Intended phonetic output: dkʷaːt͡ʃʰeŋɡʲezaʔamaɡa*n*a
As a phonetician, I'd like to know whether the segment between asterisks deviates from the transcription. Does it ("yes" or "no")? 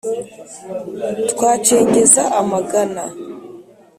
no